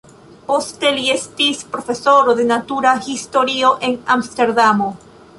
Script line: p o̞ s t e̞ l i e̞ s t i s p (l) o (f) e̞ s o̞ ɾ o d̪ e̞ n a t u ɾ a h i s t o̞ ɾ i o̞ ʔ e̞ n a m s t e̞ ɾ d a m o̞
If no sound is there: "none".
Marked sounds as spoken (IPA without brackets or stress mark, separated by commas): ɾ, f